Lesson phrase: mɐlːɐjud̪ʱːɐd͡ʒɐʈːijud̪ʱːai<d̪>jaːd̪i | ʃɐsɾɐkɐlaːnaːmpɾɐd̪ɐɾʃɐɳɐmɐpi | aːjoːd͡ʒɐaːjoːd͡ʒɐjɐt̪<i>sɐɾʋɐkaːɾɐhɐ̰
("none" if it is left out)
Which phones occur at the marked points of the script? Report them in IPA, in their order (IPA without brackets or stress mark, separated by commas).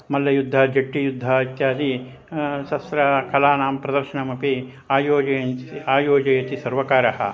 t̪, i